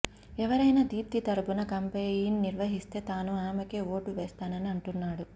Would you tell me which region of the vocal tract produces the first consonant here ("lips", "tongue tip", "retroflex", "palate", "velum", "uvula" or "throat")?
lips